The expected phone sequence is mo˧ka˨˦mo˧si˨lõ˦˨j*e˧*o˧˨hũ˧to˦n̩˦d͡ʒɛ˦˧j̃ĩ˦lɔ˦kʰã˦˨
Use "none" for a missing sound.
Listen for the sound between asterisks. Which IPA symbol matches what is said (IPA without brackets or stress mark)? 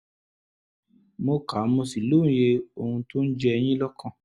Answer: e˧